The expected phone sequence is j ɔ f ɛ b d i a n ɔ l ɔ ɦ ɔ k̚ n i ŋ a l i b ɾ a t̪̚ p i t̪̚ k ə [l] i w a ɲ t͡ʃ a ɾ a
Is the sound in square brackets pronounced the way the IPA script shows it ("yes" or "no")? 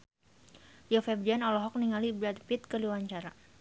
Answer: yes